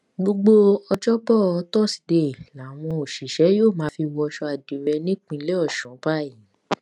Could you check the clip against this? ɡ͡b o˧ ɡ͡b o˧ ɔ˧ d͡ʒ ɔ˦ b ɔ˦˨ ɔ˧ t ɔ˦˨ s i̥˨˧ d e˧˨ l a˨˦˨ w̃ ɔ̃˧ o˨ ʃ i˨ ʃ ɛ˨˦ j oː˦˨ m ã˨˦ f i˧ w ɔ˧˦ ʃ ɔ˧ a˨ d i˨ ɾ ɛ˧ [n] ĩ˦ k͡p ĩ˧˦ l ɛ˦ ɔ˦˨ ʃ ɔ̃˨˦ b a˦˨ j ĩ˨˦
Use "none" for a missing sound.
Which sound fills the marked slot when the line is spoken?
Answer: n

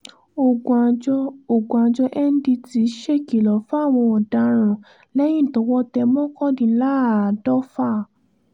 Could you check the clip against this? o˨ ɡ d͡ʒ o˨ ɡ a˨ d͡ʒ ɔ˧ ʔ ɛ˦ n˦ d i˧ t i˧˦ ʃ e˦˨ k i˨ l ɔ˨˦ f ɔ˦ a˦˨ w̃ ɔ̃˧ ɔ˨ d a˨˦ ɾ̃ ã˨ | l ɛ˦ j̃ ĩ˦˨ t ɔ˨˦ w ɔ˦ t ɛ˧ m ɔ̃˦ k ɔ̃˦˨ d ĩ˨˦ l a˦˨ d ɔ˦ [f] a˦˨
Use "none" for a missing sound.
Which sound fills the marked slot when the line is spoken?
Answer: f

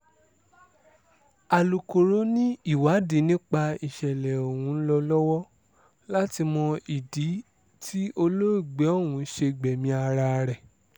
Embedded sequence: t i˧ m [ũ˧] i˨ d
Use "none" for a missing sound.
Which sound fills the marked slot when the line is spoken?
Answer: ɔ̃˧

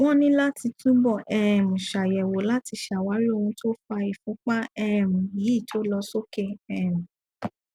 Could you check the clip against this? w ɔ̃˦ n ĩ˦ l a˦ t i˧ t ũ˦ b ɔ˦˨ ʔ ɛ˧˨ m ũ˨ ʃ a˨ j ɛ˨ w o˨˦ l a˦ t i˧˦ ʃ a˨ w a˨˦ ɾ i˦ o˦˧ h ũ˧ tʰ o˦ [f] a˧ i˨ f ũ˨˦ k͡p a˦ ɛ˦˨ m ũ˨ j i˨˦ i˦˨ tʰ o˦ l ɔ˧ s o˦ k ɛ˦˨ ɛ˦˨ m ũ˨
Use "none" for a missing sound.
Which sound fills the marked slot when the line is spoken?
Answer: f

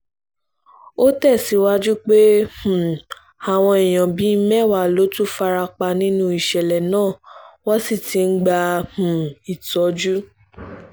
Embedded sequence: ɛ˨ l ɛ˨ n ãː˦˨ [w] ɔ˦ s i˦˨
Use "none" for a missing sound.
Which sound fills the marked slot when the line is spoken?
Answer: w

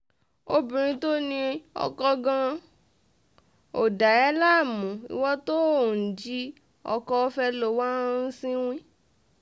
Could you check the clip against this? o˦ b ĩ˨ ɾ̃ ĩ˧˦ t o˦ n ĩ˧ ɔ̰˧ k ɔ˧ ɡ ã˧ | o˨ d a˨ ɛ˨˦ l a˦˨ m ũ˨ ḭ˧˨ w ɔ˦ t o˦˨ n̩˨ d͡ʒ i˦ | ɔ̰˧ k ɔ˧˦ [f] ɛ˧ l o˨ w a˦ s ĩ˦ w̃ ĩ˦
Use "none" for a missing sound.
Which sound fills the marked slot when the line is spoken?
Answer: f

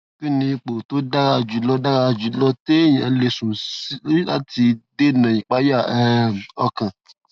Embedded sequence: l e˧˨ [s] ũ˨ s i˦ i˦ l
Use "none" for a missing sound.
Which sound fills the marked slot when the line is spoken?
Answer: s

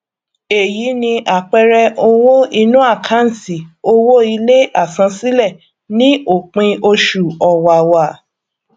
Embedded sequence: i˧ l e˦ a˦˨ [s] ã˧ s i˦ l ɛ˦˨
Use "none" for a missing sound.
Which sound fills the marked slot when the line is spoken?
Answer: s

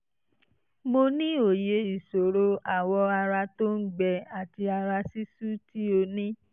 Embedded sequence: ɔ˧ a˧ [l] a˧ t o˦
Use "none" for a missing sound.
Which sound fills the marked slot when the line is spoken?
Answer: ɾ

